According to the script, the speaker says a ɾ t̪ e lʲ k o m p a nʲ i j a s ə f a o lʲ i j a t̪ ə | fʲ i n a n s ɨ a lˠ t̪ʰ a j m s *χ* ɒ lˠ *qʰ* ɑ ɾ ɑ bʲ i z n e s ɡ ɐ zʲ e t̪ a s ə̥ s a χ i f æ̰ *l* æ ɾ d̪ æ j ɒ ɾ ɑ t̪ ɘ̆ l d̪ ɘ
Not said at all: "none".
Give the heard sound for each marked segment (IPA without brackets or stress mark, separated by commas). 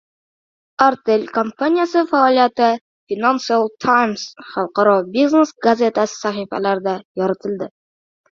χ, q, l